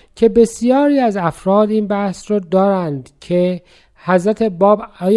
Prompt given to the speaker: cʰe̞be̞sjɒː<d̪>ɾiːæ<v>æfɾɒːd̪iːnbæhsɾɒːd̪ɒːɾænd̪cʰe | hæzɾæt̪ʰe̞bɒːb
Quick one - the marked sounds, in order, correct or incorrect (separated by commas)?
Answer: incorrect, incorrect